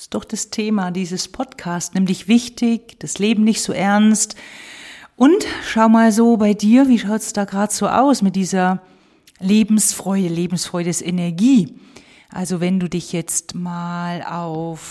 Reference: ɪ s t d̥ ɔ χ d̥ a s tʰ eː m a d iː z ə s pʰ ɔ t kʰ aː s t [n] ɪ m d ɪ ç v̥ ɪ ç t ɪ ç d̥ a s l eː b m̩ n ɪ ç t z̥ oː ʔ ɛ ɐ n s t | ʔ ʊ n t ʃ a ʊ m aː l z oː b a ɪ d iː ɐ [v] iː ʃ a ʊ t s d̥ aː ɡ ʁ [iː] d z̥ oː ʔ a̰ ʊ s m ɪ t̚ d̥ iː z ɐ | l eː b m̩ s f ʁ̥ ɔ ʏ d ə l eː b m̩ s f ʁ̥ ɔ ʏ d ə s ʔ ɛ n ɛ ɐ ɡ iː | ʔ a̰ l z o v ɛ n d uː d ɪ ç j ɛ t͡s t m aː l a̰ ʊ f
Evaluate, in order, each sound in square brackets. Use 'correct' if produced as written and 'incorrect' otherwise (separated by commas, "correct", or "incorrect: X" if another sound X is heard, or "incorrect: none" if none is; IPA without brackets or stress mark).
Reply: correct, correct, incorrect: aː